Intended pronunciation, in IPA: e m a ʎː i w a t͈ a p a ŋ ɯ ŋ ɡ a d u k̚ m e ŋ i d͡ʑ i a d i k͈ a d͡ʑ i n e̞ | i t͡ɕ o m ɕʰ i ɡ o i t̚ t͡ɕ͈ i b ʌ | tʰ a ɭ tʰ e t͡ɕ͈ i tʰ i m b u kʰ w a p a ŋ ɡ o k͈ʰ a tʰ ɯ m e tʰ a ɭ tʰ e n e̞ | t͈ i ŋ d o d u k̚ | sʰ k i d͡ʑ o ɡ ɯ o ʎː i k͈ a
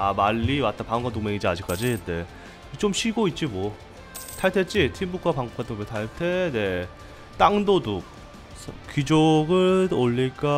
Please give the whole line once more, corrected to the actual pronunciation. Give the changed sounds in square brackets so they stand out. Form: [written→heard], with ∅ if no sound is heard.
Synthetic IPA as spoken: [e→a] m a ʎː i w a t͈ a p a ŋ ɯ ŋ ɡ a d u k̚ m e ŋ i d͡ʑ i a [d→d͡ʑ] i k͈ a d͡ʑ i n e̞ | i t͡ɕ o m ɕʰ i ɡ o i t̚ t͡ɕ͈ i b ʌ | tʰ a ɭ tʰ e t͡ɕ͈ i tʰ i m b u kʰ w a p a ŋ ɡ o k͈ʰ a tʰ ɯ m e tʰ a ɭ tʰ e n e̞ | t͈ [i→a] ŋ d o d u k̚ | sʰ k i d͡ʑ o ɡ ɯ o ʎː i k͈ a